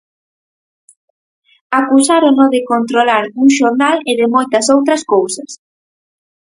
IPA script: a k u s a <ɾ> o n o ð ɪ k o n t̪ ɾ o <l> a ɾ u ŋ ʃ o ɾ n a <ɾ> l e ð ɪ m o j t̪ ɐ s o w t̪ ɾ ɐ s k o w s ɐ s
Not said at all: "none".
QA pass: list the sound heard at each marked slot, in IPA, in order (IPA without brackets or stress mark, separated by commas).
ɾ, l, none